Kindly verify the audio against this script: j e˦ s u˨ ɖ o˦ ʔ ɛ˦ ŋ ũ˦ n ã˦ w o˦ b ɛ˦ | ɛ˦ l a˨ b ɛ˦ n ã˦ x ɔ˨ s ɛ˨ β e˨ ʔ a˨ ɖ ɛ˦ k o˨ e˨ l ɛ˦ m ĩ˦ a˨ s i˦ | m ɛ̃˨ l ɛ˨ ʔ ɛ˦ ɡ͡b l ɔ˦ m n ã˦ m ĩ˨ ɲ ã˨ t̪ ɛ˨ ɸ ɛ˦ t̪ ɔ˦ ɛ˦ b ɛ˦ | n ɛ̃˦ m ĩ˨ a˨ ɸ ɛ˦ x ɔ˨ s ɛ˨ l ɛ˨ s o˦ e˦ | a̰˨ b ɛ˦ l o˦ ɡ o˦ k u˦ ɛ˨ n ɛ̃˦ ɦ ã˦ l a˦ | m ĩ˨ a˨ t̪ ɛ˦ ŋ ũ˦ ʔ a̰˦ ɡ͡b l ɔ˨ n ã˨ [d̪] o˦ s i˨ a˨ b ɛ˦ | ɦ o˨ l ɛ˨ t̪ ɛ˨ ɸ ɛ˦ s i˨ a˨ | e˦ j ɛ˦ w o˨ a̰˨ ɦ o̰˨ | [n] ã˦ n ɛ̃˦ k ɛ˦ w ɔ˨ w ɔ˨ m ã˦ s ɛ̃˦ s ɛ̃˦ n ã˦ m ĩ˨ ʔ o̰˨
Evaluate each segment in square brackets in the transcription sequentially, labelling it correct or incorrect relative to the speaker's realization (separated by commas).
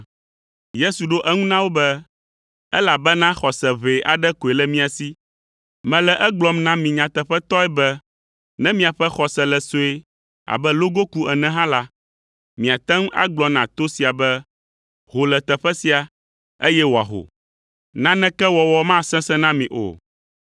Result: incorrect, correct